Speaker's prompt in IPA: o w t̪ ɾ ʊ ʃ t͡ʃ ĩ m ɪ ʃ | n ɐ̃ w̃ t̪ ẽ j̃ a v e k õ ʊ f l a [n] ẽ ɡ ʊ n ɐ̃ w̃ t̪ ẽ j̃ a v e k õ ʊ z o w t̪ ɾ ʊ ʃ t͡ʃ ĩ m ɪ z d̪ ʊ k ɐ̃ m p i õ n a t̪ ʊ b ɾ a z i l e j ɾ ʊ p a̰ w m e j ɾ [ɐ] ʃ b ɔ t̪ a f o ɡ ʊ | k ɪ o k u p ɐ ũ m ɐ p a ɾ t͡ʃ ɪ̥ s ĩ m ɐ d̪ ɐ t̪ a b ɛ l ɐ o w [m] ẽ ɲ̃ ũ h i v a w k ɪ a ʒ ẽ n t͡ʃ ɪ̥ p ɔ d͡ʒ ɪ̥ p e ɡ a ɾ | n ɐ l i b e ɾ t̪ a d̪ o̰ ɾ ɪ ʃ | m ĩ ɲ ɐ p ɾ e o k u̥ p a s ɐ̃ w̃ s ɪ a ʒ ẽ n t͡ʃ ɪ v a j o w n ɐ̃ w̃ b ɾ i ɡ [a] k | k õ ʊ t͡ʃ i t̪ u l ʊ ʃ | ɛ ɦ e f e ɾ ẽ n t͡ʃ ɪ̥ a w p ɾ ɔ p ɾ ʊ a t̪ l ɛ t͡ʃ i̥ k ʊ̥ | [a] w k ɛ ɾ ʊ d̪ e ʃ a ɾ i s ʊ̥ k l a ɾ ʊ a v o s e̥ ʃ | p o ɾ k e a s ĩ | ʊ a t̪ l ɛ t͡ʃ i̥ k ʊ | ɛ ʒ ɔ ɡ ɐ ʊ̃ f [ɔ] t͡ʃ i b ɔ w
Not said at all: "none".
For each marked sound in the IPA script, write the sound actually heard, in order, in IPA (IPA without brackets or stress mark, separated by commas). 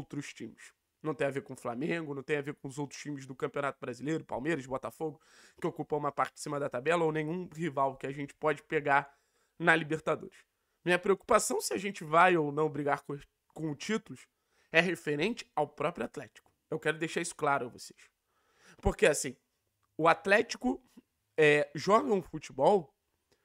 m, ɐ, n, a, e, u